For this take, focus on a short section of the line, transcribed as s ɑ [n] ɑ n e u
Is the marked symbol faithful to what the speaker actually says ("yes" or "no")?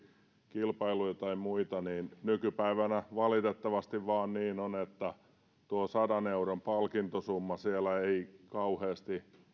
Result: no